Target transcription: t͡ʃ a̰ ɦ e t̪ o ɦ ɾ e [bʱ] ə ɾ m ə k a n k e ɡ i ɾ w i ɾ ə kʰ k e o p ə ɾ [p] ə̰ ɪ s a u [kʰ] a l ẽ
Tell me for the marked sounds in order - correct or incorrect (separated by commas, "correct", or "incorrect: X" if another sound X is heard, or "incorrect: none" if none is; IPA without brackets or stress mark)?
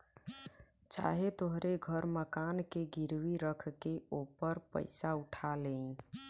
incorrect: ɡʱ, correct, incorrect: ʈʰ